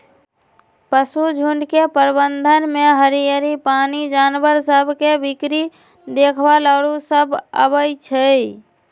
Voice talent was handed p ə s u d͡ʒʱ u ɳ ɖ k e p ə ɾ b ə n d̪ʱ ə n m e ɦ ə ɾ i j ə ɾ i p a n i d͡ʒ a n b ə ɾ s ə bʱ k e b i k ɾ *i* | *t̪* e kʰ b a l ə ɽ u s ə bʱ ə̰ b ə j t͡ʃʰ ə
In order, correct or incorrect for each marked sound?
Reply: correct, incorrect

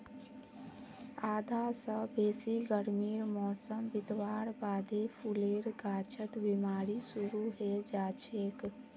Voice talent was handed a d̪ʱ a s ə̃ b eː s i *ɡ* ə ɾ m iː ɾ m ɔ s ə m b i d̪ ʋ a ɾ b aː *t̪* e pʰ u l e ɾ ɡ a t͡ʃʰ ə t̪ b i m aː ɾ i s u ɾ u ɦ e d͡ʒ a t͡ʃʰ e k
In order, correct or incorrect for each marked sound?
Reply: correct, incorrect

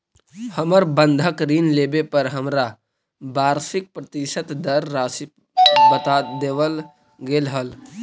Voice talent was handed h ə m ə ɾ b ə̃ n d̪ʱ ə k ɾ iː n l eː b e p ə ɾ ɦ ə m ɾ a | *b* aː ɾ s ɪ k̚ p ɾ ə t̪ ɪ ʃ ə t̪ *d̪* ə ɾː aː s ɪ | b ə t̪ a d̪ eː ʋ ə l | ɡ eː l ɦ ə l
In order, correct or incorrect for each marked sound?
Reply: correct, correct

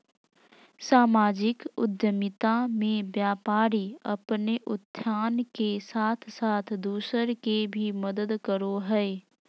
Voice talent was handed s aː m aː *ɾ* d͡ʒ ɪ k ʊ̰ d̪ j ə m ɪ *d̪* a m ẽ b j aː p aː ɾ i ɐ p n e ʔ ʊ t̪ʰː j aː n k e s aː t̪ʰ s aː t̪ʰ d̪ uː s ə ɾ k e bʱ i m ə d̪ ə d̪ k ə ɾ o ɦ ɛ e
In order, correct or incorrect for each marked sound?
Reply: incorrect, incorrect

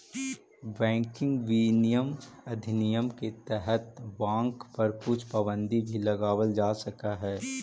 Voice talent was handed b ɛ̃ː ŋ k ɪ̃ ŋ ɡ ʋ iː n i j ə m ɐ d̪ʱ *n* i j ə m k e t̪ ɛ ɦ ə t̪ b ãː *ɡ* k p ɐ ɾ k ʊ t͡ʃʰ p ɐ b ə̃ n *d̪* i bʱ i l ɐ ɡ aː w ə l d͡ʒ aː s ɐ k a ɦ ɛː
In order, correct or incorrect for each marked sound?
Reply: correct, incorrect, correct

